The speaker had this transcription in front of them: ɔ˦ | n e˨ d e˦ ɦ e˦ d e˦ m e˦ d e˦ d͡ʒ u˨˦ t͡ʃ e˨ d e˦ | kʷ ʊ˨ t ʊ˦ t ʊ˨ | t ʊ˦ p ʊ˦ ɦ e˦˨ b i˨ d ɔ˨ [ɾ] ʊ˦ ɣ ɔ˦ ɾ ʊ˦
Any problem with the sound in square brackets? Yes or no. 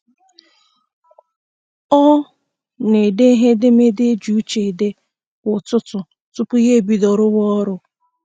no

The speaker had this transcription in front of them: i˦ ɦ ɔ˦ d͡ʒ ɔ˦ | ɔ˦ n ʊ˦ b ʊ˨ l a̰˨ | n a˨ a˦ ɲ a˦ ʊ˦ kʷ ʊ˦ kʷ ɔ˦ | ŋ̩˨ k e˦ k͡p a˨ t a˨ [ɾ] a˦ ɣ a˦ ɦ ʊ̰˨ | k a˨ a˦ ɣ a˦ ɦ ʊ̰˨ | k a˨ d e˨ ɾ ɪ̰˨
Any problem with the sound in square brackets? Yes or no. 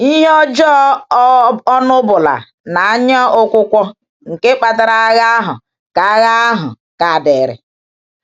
no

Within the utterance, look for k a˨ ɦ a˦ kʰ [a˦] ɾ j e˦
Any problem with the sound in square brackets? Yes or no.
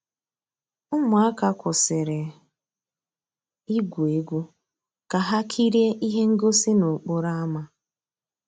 yes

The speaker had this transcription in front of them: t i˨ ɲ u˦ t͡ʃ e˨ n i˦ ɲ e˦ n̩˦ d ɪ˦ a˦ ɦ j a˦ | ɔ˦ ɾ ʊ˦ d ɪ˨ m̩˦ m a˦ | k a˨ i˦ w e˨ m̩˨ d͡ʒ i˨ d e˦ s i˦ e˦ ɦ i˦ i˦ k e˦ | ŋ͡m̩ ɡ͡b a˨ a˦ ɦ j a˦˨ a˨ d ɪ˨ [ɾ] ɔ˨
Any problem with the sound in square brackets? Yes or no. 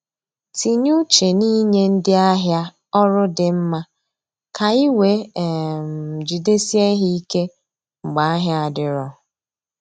no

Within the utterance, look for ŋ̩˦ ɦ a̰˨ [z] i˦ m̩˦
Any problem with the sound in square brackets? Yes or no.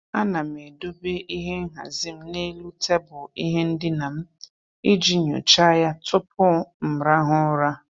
no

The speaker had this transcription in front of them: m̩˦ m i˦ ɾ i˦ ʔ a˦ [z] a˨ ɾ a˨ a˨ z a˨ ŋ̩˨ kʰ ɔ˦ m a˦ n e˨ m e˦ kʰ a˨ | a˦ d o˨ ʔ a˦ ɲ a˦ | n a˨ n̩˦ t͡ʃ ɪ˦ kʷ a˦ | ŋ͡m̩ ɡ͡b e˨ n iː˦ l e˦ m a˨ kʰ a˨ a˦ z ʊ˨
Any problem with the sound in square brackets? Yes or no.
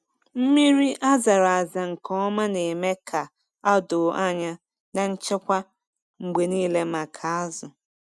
no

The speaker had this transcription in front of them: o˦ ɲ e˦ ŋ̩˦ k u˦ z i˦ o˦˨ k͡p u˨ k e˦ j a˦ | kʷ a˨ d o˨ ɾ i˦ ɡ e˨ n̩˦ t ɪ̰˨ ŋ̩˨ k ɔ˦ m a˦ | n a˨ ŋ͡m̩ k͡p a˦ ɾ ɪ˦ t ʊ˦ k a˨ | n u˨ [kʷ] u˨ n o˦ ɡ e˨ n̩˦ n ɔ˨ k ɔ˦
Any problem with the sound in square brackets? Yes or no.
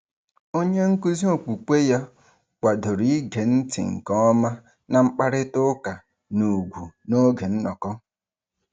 yes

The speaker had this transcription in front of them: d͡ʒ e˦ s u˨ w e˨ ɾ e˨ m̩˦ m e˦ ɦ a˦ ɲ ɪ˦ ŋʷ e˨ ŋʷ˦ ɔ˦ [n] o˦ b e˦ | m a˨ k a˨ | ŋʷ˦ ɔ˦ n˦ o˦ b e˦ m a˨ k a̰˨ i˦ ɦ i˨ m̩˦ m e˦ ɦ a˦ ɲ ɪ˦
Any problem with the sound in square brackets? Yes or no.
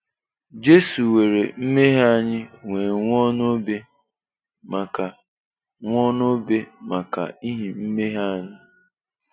no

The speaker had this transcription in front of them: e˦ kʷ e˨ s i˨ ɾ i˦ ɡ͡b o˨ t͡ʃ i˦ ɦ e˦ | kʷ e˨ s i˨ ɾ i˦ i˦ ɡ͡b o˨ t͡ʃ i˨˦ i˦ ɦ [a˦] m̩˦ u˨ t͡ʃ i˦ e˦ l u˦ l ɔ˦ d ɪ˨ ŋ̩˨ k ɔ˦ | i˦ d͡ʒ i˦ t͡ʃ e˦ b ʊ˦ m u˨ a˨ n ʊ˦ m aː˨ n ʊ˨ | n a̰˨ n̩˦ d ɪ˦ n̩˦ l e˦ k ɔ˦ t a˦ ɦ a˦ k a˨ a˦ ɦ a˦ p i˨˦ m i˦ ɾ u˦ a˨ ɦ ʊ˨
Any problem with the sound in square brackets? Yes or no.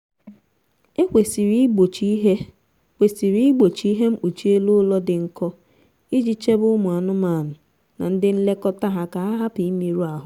yes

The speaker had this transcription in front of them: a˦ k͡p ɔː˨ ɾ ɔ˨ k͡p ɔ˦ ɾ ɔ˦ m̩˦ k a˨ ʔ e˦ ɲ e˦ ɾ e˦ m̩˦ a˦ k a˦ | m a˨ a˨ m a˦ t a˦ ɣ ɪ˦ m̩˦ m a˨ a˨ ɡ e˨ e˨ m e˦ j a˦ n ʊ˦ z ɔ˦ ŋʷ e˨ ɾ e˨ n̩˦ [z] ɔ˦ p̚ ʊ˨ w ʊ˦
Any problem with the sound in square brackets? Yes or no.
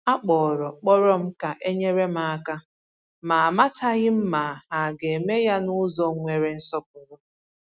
yes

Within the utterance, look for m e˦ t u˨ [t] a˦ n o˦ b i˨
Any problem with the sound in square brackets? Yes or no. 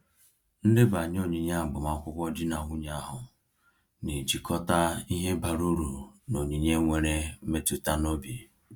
no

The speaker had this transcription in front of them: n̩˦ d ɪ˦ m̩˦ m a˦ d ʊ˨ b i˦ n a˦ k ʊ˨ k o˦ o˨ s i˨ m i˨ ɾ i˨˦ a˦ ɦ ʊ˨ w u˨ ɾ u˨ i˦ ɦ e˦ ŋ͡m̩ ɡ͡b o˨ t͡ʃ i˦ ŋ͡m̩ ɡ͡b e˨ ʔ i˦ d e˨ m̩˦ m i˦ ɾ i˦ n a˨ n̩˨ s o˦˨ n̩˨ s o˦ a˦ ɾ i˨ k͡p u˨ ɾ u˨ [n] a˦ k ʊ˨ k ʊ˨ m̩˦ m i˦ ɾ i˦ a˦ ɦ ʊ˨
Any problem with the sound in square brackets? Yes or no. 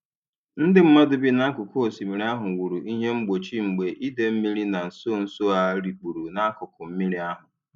no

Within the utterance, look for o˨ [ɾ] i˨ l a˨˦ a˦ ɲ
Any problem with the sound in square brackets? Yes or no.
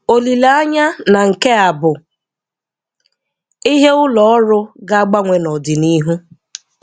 yes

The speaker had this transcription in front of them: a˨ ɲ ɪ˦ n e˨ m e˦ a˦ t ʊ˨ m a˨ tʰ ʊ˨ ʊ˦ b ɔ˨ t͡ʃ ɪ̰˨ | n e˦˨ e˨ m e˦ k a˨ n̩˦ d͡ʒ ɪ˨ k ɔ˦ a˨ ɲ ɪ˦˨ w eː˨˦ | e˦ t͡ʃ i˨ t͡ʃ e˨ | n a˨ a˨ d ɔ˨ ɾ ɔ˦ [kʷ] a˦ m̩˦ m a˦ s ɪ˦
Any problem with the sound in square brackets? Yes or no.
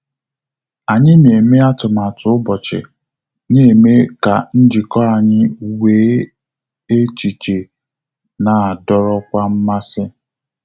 no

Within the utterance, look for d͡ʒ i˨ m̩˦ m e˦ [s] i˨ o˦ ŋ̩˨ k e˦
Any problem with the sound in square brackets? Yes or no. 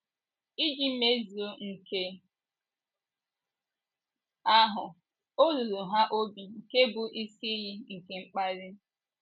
yes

